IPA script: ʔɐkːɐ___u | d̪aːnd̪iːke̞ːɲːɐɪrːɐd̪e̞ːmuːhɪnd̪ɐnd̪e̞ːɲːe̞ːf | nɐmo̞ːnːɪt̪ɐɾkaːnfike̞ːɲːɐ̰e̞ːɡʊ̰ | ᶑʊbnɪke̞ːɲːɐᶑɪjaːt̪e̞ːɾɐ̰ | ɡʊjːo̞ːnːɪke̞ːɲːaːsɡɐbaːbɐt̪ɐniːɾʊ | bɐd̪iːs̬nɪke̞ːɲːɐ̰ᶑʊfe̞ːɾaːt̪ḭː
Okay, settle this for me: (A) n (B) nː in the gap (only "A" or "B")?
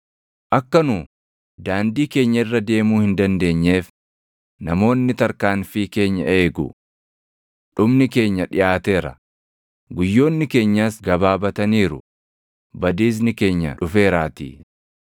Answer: A